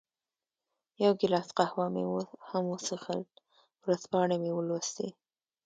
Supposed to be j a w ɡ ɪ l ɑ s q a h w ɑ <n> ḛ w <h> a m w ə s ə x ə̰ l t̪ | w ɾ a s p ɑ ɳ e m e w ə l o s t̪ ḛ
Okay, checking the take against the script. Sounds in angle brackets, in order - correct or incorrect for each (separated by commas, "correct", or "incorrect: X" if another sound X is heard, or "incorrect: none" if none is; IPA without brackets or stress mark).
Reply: incorrect: m, correct